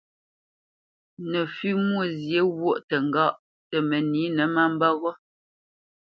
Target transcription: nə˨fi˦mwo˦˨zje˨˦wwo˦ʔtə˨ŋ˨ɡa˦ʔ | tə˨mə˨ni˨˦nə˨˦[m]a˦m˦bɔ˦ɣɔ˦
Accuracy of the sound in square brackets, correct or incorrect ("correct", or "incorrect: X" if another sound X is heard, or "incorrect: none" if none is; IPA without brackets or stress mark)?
correct